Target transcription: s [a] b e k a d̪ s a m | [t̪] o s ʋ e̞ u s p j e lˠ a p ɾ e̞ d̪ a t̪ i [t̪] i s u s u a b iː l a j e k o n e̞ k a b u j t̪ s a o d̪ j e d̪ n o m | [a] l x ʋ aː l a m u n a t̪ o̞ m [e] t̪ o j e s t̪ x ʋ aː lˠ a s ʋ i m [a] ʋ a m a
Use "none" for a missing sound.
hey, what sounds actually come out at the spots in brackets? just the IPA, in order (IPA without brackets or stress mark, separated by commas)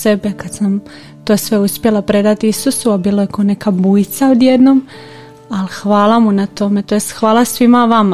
e, t̪, none, a, e, a